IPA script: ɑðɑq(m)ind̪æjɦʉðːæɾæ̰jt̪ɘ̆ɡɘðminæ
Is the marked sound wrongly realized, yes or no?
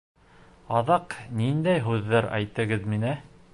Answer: yes